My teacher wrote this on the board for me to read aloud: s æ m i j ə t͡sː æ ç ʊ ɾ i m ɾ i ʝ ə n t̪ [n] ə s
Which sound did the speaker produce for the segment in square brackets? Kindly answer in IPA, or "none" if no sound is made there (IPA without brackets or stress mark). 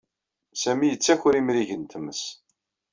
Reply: m